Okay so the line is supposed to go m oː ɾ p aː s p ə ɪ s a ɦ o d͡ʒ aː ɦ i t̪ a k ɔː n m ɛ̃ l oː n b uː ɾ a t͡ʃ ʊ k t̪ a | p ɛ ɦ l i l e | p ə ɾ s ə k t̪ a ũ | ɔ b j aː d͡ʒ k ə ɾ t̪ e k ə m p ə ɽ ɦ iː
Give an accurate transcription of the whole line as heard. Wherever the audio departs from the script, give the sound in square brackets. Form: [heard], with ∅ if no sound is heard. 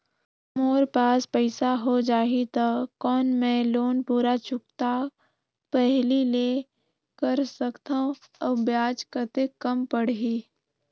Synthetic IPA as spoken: m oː ɾ p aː s p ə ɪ s a ɦ o d͡ʒ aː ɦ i t̪ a k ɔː n m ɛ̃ l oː n [p] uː ɾ a t͡ʃ ʊ k t̪ a | p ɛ ɦ l i l e | [k] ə ɾ s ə k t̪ a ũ | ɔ b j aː d͡ʒ k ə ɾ t̪ e k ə m p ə ɽ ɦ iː

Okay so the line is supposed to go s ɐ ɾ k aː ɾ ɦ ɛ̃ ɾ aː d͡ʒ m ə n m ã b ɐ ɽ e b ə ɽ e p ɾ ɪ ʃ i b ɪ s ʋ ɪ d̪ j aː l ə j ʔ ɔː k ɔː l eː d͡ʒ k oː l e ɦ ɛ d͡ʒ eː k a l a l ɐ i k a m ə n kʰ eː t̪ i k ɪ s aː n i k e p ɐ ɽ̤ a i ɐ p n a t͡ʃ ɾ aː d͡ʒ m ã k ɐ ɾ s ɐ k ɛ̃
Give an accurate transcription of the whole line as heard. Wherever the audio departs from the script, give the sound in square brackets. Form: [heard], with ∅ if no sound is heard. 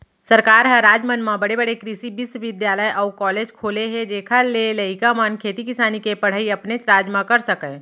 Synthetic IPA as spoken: s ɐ ɾ k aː ɾ ɦ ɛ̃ ɾ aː d͡ʒ m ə n m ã b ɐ ɽ e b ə ɽ e [k] ɾ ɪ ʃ i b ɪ s ʋ ɪ d̪ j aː l ə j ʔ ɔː k ɔː l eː d͡ʒ [kʰ] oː l e ɦ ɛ d͡ʒ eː [kʰ] a l [e] l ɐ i k a m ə n kʰ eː t̪ i k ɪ s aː n i k e p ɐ ɽ̤ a i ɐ p n [e] t͡ʃ ɾ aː d͡ʒ m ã k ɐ ɾ s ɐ k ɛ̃

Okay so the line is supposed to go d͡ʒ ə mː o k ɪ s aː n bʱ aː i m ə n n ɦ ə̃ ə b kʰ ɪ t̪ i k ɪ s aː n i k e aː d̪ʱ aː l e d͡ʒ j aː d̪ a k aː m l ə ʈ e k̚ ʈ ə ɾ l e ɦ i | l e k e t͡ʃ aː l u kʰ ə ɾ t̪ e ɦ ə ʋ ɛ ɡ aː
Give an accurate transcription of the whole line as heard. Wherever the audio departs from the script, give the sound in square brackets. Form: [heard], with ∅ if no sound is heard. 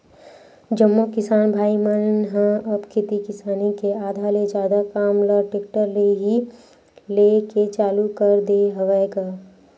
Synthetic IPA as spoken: d͡ʒ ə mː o k ɪ s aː n bʱ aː i m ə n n ɦ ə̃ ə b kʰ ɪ t̪ i k ɪ s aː n i k e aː d̪ʱ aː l e d͡ʒ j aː d̪ a k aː m l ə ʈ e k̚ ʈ ə ɾ l e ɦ i | l e k e t͡ʃ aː l u [k] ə ɾ [d̪] e ɦ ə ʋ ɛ ɡ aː

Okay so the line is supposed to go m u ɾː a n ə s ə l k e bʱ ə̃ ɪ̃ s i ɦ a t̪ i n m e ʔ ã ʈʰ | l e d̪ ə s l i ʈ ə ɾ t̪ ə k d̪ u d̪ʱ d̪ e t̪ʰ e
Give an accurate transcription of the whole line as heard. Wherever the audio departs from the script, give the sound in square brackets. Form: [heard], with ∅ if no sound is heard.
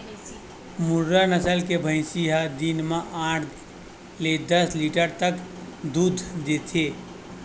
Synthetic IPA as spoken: m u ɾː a n ə s ə l k e bʱ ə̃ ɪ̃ s i ɦ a [d̪] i n m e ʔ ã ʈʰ | l e d̪ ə s l i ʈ ə ɾ t̪ ə k d̪ u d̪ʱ d̪ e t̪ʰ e

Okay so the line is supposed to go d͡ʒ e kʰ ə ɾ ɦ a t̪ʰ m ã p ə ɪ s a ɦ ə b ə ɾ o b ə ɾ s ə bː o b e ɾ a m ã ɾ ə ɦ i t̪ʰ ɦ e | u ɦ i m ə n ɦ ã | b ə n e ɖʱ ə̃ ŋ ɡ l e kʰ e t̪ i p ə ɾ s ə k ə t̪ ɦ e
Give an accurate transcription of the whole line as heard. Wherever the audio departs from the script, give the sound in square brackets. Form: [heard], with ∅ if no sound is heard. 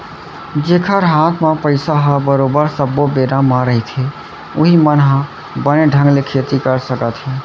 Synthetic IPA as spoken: d͡ʒ e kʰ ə ɾ ɦ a t̪ʰ m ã p ə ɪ s a ɦ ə b ə ɾ o b ə ɾ s ə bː o b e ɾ a m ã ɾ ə ɦ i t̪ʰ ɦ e | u ɦ i m ə n ɦ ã | b ə n e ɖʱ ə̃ ŋ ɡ l e kʰ e t̪ i [k] ə ɾ s ə k ə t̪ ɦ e

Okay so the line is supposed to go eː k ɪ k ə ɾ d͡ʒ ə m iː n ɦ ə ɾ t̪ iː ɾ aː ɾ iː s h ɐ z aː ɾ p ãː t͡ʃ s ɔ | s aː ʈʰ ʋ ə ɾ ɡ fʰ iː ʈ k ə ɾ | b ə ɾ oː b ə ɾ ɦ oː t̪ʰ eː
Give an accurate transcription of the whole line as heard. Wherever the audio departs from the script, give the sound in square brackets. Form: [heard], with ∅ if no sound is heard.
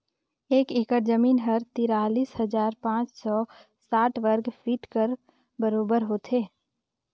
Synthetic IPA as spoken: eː k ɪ k ə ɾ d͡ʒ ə m iː n ɦ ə ɾ t̪ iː ɾ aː [l] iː s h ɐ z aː ɾ p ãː t͡ʃ s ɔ | s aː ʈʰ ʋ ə ɾ ɡ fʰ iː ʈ k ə ɾ | b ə ɾ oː b ə ɾ ɦ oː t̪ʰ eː

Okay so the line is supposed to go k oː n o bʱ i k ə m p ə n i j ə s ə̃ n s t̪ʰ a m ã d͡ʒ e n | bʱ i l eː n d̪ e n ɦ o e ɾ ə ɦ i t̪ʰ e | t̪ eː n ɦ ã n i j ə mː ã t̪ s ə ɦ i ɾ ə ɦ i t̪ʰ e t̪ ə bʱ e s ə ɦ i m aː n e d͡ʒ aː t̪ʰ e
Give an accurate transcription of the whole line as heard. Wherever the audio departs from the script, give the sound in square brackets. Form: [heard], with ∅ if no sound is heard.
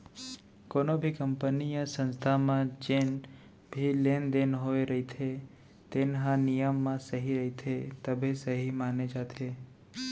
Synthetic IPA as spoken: k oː n o bʱ i k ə m p ə n i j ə s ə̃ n s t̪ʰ a m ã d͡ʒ e n | bʱ i l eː n d̪ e n ɦ o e ɾ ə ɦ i t̪ʰ e | t̪ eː n ɦ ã n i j ə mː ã [∅] s ə ɦ i ɾ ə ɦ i t̪ʰ e t̪ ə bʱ e s ə ɦ i m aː n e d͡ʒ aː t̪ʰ e

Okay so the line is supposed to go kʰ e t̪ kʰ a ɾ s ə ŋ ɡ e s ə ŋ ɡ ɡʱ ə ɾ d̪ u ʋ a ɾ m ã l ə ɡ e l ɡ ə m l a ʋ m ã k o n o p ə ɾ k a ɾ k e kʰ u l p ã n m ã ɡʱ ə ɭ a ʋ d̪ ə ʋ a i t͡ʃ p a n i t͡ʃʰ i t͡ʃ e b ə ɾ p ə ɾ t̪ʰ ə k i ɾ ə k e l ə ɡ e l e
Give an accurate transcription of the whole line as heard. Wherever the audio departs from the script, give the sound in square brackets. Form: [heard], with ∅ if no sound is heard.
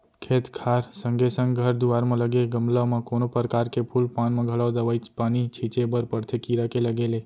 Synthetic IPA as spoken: kʰ e t̪ kʰ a ɾ s ə ŋ ɡ e s ə ŋ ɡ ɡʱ ə ɾ d̪ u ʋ a ɾ m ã l ə ɡ e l ɡ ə m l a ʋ m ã k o n o p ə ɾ k a ɾ k e [pʰ] u l p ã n m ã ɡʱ ə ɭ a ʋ d̪ ə ʋ a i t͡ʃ p a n i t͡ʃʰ i t͡ʃ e b ə ɾ p ə ɾ t̪ʰ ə k i ɾ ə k e l ə ɡ e l e

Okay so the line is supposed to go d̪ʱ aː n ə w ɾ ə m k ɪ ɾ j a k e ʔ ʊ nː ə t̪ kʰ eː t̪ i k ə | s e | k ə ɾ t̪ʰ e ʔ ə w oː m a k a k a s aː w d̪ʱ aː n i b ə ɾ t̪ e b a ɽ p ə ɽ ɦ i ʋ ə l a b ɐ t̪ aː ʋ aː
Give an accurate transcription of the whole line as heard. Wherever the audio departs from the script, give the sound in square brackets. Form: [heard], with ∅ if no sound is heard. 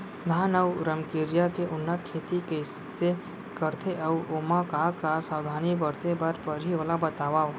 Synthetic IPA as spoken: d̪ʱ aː n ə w ɾ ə m k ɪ ɾ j a k e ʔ ʊ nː ə t̪ kʰ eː t̪ i k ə | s e | k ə ɾ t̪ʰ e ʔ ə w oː m a k a k a s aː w d̪ʱ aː n i b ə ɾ t̪ e b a [ɾ] p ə [ɾ] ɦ i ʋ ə l a b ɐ t̪ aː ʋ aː

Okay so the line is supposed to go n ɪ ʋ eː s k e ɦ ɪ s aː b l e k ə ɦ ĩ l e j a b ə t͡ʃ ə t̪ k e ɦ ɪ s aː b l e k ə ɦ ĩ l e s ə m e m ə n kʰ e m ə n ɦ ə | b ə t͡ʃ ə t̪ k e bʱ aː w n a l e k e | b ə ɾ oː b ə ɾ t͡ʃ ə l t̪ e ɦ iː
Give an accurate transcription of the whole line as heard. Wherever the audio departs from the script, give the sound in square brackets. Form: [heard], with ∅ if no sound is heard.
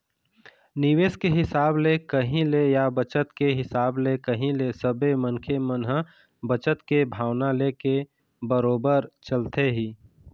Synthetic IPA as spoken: n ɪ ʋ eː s k e ɦ ɪ s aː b l e k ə ɦ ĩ l e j a b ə t͡ʃ ə t̪ k e ɦ ɪ s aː b l e k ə ɦ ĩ l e s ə [b] e m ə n kʰ e m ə n ɦ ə | b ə t͡ʃ ə t̪ k e bʱ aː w n a l e k e | b ə ɾ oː b ə ɾ t͡ʃ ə l t̪ e ɦ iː

